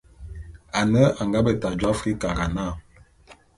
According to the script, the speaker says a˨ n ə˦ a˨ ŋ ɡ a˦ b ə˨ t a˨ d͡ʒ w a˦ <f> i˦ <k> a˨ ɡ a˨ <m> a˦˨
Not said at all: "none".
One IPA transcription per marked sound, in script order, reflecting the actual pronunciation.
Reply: f, k, n

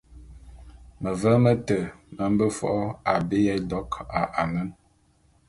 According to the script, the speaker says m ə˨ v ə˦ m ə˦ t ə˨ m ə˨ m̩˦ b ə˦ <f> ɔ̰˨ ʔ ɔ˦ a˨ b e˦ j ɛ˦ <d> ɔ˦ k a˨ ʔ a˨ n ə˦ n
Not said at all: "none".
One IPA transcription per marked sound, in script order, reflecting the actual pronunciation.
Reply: f, d

